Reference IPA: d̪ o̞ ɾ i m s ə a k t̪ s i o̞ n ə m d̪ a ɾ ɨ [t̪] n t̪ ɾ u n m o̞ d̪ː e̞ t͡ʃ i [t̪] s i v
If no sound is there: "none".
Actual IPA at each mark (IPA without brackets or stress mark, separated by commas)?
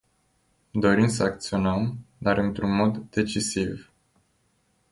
none, none